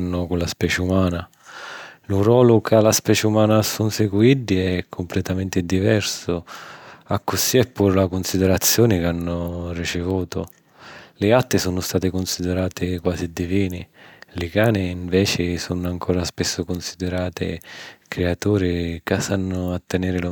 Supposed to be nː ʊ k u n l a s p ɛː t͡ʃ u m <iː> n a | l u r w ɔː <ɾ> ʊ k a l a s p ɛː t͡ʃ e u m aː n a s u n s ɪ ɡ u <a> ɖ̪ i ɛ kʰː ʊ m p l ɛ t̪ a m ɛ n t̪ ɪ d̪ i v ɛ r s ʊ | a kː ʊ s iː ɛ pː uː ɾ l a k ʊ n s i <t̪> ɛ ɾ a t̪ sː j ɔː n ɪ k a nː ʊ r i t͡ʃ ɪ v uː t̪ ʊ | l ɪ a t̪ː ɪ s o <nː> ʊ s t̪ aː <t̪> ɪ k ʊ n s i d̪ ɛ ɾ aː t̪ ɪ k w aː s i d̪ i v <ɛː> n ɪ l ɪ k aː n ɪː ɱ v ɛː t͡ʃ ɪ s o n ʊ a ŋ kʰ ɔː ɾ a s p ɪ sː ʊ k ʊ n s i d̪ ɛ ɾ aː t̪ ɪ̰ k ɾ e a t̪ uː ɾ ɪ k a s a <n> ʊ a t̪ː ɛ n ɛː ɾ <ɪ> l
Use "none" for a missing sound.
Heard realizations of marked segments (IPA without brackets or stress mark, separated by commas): aː, l, i, d̪, n, t̪, iː, nː, ɪ